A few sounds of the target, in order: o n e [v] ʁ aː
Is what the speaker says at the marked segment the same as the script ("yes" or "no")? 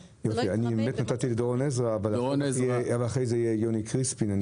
no